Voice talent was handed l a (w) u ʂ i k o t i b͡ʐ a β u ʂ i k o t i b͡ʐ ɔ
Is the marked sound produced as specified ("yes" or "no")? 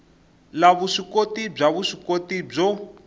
no